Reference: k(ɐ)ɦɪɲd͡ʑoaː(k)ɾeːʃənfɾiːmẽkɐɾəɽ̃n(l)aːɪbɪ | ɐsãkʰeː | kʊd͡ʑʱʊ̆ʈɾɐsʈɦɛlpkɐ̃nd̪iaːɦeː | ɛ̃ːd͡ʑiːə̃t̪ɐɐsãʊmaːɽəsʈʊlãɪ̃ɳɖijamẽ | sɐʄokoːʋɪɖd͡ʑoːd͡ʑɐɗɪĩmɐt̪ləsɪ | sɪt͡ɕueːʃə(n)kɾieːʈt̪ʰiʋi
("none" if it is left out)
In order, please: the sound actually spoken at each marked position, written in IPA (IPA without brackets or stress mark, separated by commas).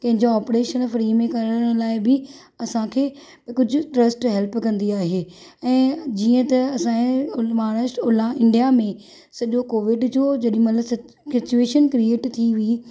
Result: ɐ̃, p, l, n